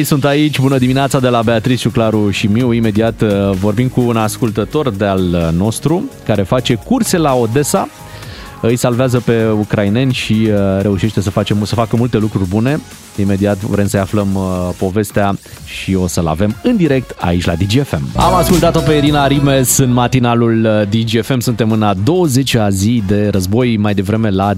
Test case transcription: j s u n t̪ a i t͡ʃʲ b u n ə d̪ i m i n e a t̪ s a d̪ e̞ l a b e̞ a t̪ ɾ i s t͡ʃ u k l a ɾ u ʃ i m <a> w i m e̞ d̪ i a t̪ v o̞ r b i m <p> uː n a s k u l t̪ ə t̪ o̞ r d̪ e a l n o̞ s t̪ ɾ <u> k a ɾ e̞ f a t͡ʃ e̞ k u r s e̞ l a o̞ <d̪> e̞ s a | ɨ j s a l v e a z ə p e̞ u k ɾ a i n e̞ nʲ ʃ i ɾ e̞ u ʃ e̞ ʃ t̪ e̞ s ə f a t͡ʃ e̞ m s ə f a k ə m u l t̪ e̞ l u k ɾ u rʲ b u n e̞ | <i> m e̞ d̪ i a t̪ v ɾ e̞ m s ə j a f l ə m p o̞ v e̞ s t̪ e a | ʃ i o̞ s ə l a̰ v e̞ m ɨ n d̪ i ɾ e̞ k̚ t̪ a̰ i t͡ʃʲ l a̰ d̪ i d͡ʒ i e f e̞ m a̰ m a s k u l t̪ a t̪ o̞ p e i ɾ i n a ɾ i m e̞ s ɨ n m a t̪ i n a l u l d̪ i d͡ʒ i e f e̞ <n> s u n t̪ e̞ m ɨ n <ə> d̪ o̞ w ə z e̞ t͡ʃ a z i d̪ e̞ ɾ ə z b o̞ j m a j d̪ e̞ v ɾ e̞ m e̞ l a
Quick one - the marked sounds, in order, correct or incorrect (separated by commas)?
incorrect, incorrect, correct, correct, correct, incorrect, incorrect